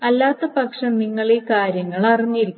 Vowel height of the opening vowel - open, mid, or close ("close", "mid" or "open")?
open